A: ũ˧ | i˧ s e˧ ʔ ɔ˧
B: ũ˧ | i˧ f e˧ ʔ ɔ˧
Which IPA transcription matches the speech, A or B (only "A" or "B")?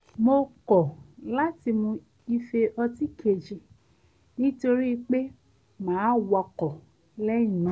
B